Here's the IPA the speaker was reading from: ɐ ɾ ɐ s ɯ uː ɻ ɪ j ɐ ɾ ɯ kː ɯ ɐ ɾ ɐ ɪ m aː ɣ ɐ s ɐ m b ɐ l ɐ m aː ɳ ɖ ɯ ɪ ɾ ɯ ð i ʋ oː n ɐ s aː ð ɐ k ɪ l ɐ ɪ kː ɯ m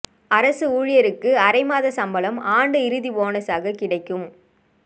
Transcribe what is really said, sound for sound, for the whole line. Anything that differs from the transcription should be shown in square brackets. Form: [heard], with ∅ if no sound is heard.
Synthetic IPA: ɐ ɾ ɐ s ɯ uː ɻ ɪ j ɐ ɾ ɯ kː ɯ ɐ ɾ ɐ ɪ m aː [ð] ɐ s ɐ m b ɐ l ɐ m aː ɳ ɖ ɯ ɪ ɾ ɯ ð i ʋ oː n ɐ s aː [ɣ] ɐ k ɪ [ɽ] ɐ ɪ kː ɯ m